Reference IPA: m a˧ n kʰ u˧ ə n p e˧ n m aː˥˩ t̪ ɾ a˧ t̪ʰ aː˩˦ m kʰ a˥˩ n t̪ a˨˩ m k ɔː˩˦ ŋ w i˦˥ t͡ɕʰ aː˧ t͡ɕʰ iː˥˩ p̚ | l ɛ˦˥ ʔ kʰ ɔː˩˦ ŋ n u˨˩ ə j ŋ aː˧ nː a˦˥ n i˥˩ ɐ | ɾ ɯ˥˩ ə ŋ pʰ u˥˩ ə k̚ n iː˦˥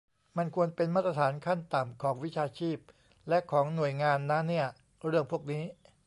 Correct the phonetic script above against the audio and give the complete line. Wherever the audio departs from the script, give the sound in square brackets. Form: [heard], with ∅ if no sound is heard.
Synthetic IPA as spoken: m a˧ n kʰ u˧ ə n p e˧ n m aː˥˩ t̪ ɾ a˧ t̪ʰ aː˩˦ [n] kʰ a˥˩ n t̪ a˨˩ m [kʰ] ɔː˩˦ ŋ w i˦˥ t͡ɕʰ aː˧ t͡ɕʰ iː˥˩ p̚ | l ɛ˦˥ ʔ kʰ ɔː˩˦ ŋ n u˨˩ ə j ŋ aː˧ nː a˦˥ n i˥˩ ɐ | ɾ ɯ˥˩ ə ŋ pʰ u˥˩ ə k̚ n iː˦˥

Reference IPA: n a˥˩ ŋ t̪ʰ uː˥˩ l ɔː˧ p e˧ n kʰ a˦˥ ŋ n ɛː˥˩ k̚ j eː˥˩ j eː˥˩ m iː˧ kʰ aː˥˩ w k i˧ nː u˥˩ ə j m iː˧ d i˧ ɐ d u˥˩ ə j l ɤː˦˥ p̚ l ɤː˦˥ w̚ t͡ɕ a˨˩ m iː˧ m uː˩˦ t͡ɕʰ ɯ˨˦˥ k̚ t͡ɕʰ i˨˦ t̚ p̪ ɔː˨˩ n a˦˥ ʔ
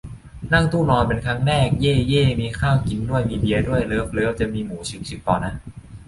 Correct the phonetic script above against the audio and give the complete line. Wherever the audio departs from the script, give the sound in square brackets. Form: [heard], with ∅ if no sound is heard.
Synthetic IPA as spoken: n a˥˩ ŋ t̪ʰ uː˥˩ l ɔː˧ p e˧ n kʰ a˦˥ ŋ n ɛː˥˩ k̚ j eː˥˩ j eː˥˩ m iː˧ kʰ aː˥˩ w k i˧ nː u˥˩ ə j m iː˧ [b] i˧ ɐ d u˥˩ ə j l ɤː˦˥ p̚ l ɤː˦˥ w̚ t͡ɕ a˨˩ m iː˧ m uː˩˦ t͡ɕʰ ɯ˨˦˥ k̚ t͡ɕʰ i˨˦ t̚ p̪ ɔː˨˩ n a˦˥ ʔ

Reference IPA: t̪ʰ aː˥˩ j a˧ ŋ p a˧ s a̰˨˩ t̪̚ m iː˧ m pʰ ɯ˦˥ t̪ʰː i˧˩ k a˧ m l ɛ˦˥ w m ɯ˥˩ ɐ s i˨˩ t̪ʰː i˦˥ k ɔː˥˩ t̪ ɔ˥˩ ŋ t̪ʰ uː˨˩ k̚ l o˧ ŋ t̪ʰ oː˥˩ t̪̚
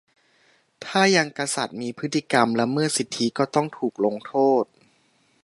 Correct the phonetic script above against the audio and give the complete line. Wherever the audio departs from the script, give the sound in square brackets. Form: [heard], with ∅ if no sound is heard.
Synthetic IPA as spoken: t̪ʰ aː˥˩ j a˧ ŋ [k] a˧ s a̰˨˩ t̪̚ m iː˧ [∅] pʰ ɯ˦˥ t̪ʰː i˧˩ k a˧ m l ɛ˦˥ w m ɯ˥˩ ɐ s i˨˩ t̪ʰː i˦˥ k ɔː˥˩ t̪ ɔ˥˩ ŋ t̪ʰ uː˨˩ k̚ l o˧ ŋ t̪ʰ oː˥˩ t̪̚

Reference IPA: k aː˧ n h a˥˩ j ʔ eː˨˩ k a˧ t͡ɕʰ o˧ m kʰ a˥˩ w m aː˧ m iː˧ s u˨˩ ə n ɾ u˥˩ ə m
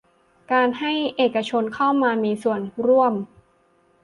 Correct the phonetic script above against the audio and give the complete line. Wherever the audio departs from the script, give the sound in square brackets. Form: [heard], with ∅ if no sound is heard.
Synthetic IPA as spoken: k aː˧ n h a˥˩ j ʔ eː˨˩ k a˧ t͡ɕʰ o˧ [n] kʰ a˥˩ w m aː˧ m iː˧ s u˨˩ ə n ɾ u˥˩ ə m

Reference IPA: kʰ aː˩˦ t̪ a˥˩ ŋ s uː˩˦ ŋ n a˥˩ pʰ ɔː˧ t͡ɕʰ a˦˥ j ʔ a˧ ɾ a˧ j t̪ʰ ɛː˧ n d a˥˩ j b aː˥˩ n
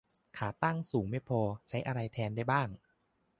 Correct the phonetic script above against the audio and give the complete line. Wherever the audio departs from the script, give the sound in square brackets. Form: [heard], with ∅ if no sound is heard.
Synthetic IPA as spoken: kʰ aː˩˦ t̪ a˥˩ ŋ s uː˩˦ ŋ [m] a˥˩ pʰ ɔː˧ t͡ɕʰ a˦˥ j ʔ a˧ ɾ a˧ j t̪ʰ ɛː˧ n d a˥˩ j b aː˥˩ [ŋ]

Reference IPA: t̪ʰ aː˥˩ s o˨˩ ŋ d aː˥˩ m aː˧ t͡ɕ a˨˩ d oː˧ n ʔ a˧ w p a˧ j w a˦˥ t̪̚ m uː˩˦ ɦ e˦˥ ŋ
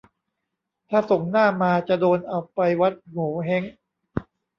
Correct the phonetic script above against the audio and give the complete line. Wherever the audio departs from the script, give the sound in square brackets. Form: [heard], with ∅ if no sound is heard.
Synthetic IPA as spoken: t̪ʰ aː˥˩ s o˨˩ ŋ [n] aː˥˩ m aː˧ t͡ɕ a˨˩ d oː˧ n ʔ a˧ w p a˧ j w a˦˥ t̪̚ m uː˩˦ ɦ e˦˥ ŋ

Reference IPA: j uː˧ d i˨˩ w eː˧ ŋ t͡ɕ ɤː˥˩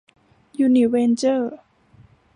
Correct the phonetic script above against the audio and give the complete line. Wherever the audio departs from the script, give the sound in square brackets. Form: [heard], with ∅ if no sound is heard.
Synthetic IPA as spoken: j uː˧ [n] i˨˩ w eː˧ [n] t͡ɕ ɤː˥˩

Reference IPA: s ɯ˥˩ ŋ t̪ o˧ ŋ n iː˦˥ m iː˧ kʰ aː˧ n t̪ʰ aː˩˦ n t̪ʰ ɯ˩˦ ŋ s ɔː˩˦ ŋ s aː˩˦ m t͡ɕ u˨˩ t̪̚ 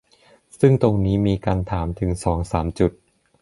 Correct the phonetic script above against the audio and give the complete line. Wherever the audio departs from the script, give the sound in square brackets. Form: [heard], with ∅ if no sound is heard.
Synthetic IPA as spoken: s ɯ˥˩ ŋ t̪ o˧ ŋ n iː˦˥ m iː˧ [k] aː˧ n t̪ʰ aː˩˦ [m] t̪ʰ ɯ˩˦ ŋ s ɔː˩˦ ŋ s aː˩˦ m t͡ɕ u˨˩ t̪̚

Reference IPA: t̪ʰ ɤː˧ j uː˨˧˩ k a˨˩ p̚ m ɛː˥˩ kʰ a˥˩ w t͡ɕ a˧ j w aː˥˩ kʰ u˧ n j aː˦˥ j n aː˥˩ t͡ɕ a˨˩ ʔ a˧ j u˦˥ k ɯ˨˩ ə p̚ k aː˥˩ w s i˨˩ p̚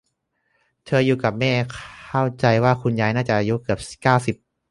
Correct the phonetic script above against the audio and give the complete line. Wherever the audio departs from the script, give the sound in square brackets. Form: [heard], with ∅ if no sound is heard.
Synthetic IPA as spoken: t̪ʰ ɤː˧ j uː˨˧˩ k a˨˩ p̚ m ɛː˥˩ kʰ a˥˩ w t͡ɕ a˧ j w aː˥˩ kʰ u˧ n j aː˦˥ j n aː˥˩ t͡ɕ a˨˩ ʔ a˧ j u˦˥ k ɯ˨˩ ə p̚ k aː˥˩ w s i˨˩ p̚

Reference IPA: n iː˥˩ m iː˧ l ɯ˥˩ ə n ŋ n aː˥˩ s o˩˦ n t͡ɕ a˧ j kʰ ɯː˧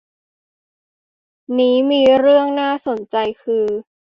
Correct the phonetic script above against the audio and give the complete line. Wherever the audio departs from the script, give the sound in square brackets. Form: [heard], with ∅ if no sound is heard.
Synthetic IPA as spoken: n [iː˦˥] m iː˧ [ɾ] ɯ˥˩ ə [∅] ŋ n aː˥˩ s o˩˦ n t͡ɕ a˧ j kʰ ɯː˧

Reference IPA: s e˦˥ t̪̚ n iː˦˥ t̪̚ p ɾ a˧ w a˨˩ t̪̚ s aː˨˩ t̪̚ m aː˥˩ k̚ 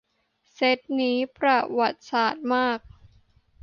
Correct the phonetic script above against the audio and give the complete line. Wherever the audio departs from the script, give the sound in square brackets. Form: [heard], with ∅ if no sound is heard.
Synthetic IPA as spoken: s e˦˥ t̪̚ n iː˦˥ [∅] p ɾ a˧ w a˨˩ t̪̚ s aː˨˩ t̪̚ m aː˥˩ k̚

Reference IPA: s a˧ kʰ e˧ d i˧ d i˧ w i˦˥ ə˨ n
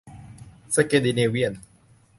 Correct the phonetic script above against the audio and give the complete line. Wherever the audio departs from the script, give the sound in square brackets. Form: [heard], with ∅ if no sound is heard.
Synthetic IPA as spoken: s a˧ [k] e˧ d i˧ [n] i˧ w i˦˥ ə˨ n

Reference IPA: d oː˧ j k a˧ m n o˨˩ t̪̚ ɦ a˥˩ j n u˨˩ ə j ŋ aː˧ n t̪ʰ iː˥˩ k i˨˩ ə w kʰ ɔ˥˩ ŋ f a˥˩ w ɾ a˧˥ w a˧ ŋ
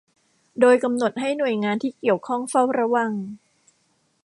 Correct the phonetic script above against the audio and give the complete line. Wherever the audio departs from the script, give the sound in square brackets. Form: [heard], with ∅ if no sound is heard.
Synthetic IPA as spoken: d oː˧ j k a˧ m n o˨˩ t̪̚ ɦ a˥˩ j n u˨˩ ə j ŋ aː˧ n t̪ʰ iː˥˩ k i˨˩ ə w kʰ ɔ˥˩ ŋ f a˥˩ w ɾ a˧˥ w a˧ ŋ

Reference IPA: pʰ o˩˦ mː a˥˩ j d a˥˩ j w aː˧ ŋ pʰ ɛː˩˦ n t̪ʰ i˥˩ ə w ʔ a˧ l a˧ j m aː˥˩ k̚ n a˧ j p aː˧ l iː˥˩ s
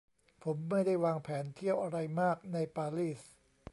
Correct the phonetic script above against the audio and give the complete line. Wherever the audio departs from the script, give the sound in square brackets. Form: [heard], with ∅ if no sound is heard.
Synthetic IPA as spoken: pʰ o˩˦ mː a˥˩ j d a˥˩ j w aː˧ ŋ pʰ ɛː˩˦ n t̪ʰ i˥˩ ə w ʔ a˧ [ɾ] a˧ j m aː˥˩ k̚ n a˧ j p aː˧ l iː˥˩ s

